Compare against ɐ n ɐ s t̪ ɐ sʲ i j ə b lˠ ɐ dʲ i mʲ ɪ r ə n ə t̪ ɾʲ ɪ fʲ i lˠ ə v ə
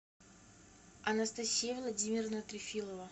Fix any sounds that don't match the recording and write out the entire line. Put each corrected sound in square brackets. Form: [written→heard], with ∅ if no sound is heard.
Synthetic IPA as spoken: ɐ n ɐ s t̪ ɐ sʲ i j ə [b→v] lˠ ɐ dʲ i mʲ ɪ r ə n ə t̪ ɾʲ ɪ fʲ i lˠ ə v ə